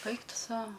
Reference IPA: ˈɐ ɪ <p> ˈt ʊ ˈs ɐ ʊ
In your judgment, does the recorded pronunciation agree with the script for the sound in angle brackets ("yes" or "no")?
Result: no